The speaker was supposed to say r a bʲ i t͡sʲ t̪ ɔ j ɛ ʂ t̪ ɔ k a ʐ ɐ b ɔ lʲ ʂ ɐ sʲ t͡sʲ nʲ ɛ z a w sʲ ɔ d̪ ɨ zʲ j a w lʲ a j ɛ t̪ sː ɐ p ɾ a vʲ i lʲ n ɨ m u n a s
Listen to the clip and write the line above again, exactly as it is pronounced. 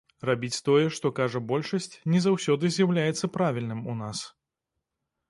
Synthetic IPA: r a bʲ i t͡sʲ t̪ ɔ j ɛ ʂ t̪ ɔ k a ʐ ɐ b ɔ lʲ ʂ ɐ sʲ t͡sʲ nʲ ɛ z a w sʲ ɔ d̪ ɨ zʲ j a w lʲ a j ɛ t̪ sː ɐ p ɾ a vʲ i lʲ n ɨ m u n a s